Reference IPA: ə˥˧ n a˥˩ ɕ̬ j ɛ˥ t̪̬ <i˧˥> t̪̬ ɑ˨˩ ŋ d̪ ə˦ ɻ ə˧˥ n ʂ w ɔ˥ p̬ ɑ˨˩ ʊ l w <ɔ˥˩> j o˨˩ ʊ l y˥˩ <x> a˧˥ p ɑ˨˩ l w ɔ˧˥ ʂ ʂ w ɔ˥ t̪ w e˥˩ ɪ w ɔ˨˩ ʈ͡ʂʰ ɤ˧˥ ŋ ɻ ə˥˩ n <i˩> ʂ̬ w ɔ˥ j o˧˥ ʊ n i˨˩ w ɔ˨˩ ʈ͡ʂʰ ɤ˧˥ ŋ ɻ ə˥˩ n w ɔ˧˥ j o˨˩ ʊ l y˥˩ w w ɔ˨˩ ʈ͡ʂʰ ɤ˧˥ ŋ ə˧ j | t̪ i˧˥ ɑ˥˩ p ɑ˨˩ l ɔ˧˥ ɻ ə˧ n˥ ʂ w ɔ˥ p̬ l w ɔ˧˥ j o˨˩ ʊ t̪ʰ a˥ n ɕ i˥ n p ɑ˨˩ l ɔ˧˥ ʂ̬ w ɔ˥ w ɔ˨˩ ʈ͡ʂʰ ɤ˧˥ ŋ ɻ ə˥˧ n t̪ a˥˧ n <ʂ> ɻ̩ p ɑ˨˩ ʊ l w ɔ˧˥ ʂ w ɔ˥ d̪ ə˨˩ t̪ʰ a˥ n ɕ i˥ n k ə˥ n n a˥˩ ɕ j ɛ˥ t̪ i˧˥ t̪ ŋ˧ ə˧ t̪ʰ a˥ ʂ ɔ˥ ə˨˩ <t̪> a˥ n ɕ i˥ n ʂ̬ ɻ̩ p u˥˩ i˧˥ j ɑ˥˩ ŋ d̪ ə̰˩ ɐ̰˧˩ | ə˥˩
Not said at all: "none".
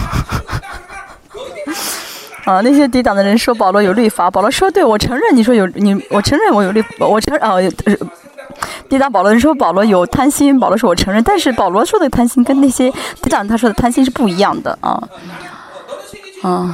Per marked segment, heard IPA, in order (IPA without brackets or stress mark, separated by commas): i˧˥, ɔ˧˥, f, i˩, ʂ, t̪ʰ